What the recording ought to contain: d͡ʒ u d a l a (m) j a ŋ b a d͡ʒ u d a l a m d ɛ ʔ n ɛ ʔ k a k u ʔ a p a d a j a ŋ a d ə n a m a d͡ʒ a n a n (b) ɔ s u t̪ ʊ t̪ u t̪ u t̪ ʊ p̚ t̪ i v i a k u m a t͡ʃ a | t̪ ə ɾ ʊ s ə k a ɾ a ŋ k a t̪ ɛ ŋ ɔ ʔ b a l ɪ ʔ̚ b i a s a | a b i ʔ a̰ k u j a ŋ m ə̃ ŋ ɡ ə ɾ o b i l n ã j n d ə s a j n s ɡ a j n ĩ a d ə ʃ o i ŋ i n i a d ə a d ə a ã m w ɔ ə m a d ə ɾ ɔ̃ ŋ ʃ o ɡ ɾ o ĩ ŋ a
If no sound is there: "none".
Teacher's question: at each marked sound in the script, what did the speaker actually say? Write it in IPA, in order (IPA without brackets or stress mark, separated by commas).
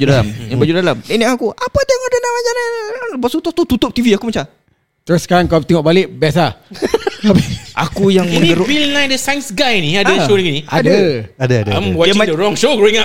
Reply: m, b